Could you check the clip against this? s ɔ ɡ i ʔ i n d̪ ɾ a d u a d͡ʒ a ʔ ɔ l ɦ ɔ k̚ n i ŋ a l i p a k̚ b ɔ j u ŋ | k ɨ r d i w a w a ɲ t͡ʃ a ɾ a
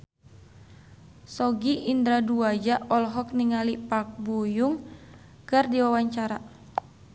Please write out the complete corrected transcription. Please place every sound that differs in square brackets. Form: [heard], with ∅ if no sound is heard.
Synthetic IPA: s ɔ ɡ i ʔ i n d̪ ɾ a d u a d͡ʒ a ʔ ɔ l ɦ ɔ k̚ n i ŋ a l i p a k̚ b [u] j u ŋ | k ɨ r d i w a w a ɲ t͡ʃ a ɾ a